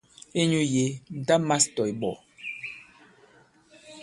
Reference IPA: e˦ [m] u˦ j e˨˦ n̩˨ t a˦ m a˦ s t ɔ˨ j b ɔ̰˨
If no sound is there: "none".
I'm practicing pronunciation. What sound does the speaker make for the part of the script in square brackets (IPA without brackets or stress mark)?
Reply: ɲ